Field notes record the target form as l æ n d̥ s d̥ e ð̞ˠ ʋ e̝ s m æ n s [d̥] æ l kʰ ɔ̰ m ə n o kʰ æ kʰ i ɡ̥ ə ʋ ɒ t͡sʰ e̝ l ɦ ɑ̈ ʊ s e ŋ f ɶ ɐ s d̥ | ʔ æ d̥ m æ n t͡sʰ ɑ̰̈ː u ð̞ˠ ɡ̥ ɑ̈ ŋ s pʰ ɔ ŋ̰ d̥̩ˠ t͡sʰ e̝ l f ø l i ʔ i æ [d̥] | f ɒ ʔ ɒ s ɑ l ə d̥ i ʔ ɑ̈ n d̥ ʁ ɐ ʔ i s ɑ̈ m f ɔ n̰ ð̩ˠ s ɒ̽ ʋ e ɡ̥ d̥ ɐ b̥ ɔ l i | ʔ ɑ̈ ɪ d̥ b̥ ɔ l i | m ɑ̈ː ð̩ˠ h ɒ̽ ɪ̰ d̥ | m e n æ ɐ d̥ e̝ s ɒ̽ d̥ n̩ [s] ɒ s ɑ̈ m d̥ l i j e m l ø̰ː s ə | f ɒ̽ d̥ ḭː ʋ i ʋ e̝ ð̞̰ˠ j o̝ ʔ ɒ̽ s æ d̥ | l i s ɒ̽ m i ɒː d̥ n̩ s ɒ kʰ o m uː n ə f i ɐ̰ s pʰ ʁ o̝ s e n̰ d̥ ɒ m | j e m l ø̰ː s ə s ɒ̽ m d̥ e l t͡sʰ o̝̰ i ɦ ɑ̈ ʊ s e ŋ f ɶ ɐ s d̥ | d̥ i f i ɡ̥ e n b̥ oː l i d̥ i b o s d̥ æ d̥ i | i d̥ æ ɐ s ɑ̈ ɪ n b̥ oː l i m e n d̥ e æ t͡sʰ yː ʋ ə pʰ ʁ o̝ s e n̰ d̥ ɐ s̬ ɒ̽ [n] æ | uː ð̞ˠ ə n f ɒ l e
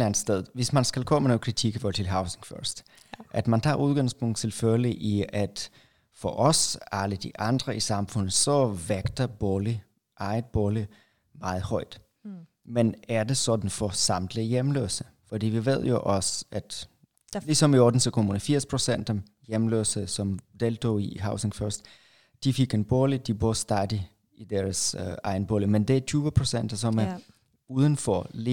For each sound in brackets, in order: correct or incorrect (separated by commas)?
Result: incorrect, correct, incorrect, incorrect